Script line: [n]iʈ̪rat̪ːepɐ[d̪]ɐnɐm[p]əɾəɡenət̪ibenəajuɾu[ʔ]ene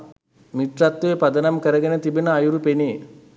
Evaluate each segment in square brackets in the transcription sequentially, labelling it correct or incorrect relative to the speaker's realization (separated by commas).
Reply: incorrect, correct, incorrect, incorrect